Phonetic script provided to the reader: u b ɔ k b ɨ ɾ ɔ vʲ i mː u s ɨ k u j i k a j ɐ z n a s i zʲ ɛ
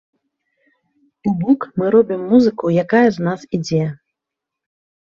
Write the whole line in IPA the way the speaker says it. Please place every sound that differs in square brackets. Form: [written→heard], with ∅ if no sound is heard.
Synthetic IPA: u b ɔ k [b→m] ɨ ɾ ɔ [vʲ→bʲ] i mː u [s→z] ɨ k u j [i→a] k a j ɐ z n a s i [zʲ→d͡zʲ] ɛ